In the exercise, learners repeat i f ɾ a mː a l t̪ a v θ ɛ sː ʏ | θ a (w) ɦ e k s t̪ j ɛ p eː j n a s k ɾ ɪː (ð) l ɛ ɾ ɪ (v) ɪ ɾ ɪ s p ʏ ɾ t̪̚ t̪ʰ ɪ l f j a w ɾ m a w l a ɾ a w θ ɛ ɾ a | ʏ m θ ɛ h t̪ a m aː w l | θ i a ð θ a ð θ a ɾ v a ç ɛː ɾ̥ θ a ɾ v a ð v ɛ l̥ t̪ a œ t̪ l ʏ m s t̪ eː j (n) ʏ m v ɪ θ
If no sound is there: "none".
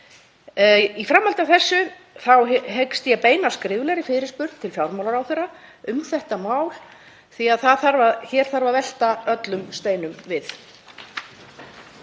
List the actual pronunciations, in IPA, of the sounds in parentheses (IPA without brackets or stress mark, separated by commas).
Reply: w, v, f, n